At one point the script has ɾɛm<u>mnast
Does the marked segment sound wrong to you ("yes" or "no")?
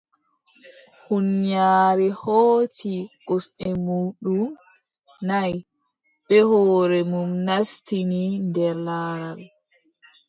no